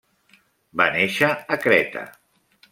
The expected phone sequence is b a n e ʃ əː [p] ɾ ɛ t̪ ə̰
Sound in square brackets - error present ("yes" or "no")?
yes